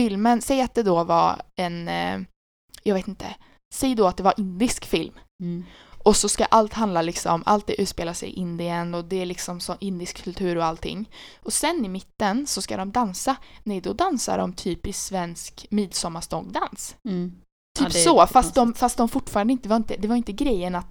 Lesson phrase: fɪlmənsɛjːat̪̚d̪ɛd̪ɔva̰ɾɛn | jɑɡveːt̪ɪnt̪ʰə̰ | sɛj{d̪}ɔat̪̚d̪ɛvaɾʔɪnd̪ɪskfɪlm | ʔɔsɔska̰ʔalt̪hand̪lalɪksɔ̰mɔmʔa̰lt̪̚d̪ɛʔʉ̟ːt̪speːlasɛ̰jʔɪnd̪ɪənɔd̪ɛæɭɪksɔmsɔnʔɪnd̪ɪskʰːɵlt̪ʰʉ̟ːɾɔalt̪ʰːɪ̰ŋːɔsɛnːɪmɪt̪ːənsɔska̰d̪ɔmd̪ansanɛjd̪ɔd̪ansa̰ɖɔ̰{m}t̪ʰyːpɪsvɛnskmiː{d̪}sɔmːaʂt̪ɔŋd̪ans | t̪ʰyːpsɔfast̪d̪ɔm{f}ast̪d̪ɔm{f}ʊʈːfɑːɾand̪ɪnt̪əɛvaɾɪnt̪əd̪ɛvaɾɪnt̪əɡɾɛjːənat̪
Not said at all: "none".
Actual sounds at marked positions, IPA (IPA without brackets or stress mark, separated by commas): d̪, m, d̪, f, f